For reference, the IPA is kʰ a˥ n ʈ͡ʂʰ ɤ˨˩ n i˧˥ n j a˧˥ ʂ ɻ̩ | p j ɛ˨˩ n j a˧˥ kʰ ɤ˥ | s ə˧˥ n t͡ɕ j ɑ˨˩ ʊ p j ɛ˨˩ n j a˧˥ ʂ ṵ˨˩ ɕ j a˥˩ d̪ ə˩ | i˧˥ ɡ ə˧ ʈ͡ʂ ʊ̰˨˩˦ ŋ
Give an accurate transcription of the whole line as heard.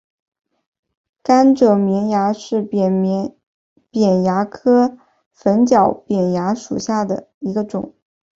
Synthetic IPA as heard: k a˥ n ʈ͡ʂ ɤ˨˩ m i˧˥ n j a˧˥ ʂ ɻ̩ | p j ɛ˨˩ n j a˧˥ kʰ ɤ˥ | f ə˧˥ n t͡ɕ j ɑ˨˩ ʊ p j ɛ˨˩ n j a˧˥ ʂ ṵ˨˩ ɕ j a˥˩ d̪ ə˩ | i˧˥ ɡ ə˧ ʈ͡ʂ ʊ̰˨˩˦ ŋ